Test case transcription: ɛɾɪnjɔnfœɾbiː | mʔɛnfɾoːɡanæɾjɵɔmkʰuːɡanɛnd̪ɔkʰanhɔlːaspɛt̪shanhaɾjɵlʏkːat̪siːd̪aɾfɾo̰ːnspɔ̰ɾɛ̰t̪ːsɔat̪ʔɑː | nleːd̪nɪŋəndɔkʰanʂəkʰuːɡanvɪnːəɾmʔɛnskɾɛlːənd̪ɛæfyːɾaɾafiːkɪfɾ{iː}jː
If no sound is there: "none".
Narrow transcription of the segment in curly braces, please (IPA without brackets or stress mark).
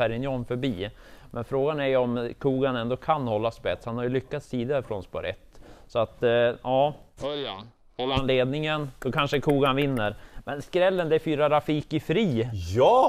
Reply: iː